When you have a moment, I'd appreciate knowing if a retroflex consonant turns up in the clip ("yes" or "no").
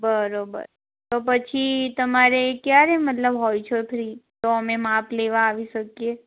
no